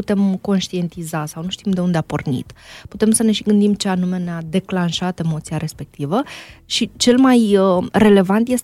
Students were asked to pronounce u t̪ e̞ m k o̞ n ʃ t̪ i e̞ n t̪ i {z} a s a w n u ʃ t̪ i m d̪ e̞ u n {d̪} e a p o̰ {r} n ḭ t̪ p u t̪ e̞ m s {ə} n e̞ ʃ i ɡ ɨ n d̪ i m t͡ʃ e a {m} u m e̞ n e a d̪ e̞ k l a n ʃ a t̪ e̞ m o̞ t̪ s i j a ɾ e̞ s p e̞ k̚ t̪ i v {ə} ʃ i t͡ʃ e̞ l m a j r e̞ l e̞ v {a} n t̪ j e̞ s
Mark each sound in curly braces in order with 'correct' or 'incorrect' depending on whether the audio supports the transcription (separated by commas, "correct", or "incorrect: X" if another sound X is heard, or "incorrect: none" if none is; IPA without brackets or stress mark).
correct, correct, correct, correct, incorrect: n, correct, correct